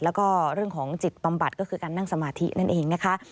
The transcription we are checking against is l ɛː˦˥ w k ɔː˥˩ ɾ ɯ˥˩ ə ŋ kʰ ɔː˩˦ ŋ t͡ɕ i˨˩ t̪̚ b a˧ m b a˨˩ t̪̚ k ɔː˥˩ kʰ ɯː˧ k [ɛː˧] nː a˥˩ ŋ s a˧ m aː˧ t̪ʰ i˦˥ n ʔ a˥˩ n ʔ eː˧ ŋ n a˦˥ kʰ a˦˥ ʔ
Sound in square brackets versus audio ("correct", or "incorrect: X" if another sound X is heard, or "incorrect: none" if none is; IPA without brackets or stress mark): incorrect: aː˧